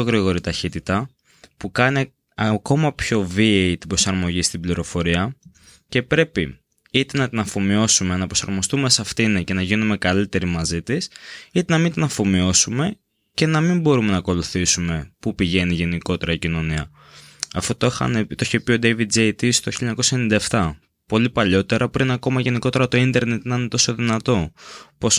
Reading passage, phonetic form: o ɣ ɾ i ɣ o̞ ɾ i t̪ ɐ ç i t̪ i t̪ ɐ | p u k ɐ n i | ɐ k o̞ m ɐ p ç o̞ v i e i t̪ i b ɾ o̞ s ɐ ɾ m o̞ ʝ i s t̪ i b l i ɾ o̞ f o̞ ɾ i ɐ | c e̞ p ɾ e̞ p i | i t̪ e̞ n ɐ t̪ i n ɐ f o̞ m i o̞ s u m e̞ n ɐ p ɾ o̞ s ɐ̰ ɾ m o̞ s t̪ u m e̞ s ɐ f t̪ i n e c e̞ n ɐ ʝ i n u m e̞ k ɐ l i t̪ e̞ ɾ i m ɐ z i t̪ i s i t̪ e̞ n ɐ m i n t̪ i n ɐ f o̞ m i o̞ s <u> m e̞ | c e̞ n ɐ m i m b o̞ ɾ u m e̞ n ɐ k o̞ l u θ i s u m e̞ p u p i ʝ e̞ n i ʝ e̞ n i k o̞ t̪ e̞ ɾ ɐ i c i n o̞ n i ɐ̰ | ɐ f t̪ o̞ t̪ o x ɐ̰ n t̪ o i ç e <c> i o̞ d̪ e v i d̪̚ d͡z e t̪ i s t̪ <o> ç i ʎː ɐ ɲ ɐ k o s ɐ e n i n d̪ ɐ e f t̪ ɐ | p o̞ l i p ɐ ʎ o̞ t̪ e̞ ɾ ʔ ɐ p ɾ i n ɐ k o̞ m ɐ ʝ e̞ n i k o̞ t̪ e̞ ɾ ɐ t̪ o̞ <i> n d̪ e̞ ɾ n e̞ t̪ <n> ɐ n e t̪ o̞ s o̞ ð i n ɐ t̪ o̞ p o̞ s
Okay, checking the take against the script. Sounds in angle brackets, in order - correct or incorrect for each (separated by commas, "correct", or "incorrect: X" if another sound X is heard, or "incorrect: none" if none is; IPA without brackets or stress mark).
correct, incorrect: p, correct, correct, correct